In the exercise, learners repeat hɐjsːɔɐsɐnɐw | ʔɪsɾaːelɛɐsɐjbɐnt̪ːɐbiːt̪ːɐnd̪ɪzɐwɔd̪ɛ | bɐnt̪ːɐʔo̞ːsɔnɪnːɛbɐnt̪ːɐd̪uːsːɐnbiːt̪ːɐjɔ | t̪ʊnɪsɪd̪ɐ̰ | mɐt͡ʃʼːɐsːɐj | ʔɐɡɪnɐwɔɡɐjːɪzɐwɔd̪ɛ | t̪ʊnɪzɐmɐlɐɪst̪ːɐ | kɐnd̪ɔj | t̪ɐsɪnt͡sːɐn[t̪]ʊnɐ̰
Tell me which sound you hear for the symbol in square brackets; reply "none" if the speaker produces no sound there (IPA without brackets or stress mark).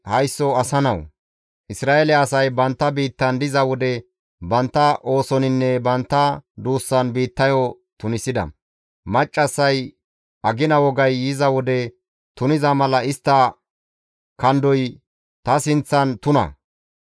t̪